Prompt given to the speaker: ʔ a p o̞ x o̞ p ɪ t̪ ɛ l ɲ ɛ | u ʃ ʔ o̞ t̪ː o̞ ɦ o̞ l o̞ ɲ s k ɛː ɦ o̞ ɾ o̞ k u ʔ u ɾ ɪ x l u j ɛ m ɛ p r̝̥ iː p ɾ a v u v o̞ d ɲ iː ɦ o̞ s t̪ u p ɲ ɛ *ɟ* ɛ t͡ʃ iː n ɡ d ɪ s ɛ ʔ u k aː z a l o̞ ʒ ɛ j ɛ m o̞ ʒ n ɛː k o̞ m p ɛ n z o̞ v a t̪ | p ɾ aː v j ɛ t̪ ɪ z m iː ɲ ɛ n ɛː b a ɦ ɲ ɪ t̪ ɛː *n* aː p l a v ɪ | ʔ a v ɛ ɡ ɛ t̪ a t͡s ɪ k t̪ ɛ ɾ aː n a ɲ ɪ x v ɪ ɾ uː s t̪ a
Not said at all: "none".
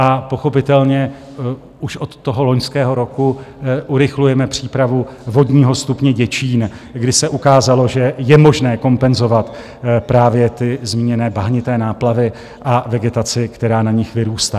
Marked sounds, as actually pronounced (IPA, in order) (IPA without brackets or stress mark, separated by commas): ɟ, n